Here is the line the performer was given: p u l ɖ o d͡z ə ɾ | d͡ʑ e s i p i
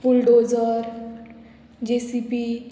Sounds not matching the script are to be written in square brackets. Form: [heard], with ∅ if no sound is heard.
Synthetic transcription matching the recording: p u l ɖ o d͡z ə ɾ | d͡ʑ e s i p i